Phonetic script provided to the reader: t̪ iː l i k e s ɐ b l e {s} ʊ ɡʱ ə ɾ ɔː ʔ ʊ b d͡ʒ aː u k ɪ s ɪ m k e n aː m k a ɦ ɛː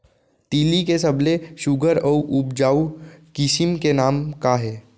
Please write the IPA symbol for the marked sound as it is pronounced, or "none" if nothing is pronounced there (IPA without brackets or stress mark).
ʃ